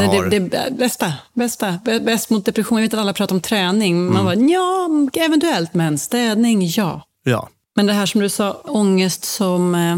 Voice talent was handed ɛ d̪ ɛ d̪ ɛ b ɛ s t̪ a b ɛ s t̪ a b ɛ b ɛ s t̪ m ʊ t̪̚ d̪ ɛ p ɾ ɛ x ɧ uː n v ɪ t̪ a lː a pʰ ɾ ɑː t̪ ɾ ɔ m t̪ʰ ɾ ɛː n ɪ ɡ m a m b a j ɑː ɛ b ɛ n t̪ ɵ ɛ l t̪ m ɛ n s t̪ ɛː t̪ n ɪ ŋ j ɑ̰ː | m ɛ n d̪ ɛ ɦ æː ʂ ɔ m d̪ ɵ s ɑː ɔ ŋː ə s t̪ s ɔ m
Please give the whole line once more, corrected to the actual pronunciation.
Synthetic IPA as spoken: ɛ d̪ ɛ d̪ ɛ b ɛ s t̪ a b ɛ s t̪ a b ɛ b ɛ s t̪ m ʊ t̪̚ d̪ ɛ p ɾ ɛ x ɧ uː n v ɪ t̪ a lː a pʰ ɾ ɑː t̪ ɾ ɔ m t̪ʰ ɾ ɛː n ɪ ŋ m a n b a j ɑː ɛ v ɛ n t̪ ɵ ɛ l t̪ m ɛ n s t̪ ɛː d̪ n ɪ ŋ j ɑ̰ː | m ɛ n d̪ ɛ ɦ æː ʂ ɔ m d̪ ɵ s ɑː ɔ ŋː ə s t̪ s ɔ m